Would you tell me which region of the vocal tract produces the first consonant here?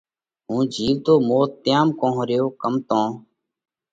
throat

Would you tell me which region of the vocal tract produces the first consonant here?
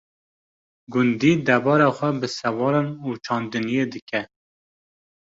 velum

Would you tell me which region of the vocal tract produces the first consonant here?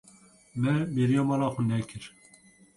lips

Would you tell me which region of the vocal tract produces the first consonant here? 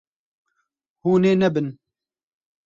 throat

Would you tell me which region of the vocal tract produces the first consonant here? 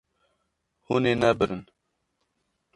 throat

